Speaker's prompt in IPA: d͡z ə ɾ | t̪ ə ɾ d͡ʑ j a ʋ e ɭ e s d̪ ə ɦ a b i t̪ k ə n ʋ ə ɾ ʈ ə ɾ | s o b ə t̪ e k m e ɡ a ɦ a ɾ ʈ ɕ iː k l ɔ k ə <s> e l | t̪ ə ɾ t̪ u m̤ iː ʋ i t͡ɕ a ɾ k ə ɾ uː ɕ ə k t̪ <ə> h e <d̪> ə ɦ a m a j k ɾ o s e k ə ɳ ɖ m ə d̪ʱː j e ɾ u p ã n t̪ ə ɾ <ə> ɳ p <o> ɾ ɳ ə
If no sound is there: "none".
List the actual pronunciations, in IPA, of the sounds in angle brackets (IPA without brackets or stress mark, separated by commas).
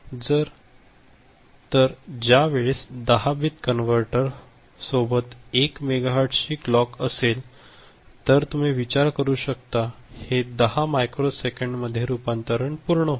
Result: s, a, d̪, ə, u